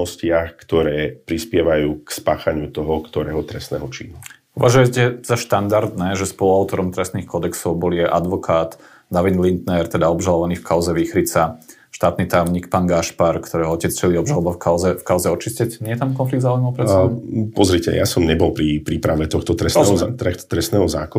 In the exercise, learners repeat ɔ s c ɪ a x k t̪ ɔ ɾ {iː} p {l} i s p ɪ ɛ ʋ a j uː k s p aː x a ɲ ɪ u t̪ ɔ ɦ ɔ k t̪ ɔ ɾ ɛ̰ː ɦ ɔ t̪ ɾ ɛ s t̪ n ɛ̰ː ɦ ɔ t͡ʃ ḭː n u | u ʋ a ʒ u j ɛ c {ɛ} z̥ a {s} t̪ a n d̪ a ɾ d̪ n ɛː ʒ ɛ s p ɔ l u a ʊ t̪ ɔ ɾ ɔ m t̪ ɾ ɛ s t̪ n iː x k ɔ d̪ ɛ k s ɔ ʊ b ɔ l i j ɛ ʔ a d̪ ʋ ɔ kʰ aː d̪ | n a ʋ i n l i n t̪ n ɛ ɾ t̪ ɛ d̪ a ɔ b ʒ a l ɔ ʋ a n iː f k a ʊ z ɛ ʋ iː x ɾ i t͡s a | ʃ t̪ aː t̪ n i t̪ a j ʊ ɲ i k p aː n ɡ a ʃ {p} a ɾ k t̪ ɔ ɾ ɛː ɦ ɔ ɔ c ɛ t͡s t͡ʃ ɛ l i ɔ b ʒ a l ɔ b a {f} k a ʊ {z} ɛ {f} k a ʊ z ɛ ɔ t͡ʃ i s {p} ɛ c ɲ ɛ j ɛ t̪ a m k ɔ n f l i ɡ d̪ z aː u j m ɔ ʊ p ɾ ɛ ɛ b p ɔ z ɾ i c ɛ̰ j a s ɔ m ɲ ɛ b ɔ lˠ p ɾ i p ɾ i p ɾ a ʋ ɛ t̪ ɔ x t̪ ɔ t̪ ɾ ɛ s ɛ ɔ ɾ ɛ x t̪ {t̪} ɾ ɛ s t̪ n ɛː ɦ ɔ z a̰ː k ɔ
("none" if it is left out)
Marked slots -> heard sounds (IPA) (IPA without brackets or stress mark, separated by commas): ɛː, ɾ, ɛ, ʃ, p, f, z, f, c, t̪